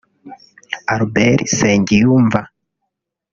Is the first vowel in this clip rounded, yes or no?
no